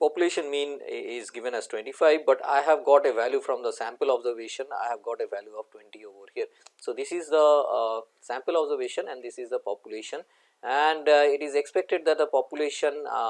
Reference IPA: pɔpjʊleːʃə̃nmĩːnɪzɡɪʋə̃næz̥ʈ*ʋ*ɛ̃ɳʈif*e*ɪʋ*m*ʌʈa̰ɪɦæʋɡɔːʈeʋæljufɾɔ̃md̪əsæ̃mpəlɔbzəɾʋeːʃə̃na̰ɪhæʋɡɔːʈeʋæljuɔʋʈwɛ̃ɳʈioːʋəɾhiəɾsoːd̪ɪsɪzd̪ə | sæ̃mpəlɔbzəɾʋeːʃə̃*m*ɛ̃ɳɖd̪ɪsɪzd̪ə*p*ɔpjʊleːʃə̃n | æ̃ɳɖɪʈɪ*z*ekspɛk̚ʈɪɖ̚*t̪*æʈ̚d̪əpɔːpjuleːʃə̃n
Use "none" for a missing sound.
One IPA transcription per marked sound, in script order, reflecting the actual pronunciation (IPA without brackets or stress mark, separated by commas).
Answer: w, a, b, n, p, z, d̪